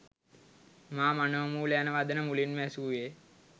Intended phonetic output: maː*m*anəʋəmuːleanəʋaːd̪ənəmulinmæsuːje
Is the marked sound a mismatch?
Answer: no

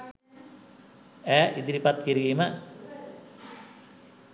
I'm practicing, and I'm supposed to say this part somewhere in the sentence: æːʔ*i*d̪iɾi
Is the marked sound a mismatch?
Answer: no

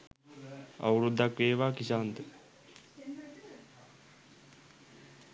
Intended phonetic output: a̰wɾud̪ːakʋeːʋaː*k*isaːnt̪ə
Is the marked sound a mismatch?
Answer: no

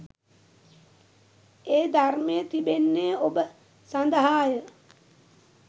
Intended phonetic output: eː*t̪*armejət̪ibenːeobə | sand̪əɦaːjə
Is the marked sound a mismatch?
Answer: yes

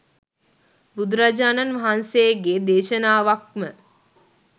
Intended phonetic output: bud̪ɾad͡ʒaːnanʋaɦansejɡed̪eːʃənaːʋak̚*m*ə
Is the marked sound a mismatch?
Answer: no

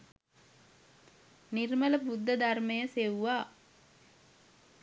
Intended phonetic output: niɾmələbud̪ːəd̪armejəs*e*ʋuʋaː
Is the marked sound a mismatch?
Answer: no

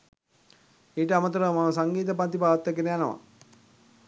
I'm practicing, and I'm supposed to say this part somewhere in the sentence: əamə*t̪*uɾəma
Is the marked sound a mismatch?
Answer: no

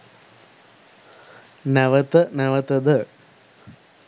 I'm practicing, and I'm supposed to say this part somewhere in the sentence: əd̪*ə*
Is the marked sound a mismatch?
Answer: no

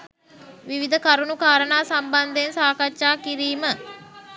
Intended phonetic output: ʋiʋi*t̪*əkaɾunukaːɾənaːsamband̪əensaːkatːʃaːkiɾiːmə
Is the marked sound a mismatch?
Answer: yes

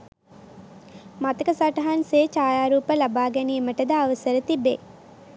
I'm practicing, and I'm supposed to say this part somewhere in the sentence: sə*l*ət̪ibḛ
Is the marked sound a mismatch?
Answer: yes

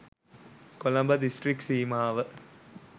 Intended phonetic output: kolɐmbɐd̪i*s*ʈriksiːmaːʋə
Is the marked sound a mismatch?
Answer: no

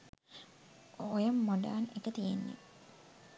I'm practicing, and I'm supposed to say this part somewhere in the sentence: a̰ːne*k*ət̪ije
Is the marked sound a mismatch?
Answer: no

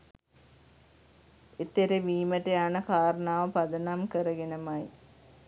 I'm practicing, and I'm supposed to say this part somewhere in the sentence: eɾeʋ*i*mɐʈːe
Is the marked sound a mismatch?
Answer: yes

